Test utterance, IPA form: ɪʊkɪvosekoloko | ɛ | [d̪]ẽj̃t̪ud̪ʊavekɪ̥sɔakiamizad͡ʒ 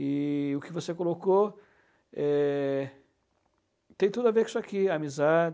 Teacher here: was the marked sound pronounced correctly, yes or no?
no